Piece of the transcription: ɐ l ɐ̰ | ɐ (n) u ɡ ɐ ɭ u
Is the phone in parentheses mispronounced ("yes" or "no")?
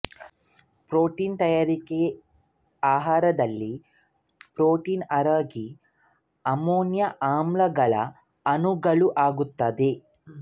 no